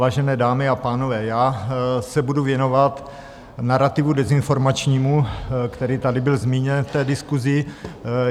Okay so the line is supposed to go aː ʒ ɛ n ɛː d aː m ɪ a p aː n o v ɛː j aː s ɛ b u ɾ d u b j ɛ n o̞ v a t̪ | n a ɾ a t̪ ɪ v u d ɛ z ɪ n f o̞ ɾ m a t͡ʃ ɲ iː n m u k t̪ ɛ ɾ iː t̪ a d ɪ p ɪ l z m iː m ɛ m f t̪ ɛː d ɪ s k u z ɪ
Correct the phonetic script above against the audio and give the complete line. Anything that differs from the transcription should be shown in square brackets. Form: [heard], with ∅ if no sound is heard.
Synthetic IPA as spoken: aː ʒ ɛ n ɛː d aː m ɪ a p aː n o v ɛː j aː s ɛ b u [∅] d u [v] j ɛ n o̞ v a t̪ | n a ɾ a t̪ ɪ v u d ɛ z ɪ n f o̞ ɾ m a t͡ʃ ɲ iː [∅] m u k t̪ ɛ ɾ iː t̪ a d ɪ [b] ɪ l z m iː [ɲ] ɛ [n] f t̪ ɛː d ɪ s k u z ɪ